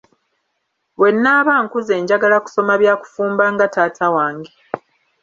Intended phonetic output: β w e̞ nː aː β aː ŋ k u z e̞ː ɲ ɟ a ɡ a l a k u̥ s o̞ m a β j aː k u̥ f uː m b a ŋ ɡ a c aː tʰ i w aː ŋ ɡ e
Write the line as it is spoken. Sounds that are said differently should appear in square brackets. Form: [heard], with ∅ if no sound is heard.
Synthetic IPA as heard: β w e̞ nː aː β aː ŋ k u z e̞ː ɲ ɟ a ɡ a l a k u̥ s o̞ m a β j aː k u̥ f uː m b a ŋ ɡ a [t] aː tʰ [a] w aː ŋ ɡ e